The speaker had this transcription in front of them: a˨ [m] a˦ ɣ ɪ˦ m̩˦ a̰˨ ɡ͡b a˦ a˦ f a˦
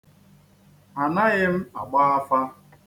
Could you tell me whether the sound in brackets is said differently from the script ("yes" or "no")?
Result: yes